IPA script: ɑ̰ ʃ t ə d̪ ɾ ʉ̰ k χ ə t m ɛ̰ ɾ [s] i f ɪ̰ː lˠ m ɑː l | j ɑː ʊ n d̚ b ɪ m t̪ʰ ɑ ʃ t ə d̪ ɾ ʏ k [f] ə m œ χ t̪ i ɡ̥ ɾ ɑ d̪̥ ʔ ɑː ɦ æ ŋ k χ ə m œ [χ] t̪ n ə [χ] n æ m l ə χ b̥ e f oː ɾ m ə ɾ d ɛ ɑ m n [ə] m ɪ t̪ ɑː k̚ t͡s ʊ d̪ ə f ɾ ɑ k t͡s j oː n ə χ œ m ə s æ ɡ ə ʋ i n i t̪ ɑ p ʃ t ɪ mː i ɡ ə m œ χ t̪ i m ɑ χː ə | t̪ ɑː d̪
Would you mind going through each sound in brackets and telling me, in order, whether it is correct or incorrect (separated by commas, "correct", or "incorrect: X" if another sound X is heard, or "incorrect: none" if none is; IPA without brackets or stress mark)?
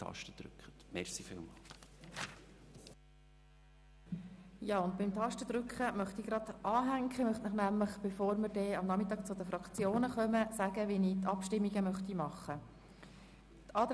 correct, incorrect: χ, correct, correct, incorrect: ɑ